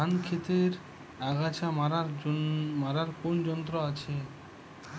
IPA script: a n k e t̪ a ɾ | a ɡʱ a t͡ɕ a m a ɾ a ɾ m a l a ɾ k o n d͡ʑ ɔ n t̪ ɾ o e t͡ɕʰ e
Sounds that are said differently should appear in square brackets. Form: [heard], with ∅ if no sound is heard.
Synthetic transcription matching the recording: a n [kʰ] e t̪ [e] ɾ | a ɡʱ a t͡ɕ a m a ɾ a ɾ m a [ɾ] a ɾ k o n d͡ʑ ɔ n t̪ ɾ o [a] t͡ɕʰ e